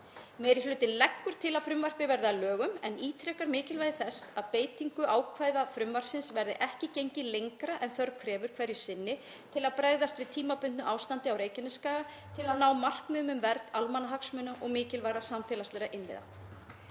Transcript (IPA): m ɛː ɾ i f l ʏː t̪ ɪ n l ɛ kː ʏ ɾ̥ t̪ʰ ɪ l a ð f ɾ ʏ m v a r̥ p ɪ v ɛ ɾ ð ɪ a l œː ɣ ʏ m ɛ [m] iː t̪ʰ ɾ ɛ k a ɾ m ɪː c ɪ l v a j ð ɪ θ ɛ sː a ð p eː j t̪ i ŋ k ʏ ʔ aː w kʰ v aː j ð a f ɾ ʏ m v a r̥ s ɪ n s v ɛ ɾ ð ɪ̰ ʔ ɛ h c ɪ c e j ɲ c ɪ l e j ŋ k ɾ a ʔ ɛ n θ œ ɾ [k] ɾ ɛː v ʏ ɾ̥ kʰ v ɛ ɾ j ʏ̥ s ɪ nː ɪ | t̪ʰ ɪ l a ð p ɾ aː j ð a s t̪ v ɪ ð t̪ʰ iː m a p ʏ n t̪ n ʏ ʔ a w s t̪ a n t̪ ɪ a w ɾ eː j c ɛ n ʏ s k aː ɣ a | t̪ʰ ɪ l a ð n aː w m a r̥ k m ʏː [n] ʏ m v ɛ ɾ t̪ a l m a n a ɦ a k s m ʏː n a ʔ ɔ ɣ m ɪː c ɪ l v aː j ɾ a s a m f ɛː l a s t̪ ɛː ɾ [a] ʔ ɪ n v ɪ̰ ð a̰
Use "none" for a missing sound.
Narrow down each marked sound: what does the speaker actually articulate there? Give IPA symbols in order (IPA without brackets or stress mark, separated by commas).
n, kʰ, m, a